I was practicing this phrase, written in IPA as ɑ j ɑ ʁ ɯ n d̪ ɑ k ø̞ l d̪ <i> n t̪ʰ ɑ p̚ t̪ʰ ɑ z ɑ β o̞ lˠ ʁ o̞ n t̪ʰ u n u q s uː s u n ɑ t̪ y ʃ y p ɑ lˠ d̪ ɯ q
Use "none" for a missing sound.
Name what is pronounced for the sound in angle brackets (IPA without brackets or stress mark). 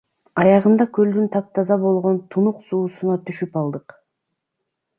y